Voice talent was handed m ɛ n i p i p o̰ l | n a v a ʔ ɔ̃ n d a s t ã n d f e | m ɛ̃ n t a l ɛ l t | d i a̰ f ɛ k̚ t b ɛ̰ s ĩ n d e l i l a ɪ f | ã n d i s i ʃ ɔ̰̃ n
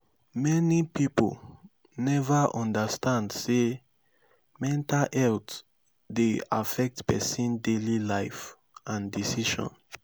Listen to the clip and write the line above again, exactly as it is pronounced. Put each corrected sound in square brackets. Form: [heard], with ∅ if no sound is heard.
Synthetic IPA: m ɛ n i p i p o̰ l | n [ɛ] v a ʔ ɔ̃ n d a s t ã n d [s] e | m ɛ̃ n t a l ɛ l t | d [e] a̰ f ɛ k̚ t [p] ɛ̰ s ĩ n d e l i l a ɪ f | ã n d i s i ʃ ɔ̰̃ n